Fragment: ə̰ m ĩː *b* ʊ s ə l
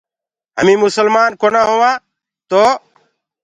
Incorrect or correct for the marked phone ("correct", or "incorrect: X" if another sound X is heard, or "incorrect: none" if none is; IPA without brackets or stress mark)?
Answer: incorrect: m